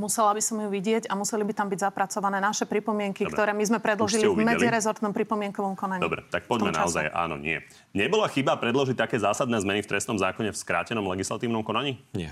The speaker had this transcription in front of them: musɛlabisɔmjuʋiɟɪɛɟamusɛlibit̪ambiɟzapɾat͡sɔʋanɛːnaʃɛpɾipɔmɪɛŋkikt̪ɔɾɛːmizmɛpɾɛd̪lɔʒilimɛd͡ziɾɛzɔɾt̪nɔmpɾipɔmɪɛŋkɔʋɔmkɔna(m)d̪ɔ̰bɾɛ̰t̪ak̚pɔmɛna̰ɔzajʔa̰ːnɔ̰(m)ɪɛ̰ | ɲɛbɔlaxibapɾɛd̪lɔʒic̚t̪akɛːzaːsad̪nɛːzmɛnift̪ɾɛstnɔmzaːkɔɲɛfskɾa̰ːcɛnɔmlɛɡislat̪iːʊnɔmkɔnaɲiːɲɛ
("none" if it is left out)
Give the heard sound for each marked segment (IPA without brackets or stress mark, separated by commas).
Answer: ɲ, ɲ